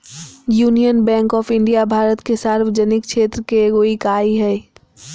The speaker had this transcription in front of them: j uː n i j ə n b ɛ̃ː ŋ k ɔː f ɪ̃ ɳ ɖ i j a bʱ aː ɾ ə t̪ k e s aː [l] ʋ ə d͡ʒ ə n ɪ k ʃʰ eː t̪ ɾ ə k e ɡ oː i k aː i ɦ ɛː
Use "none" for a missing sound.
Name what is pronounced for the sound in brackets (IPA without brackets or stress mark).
ɾ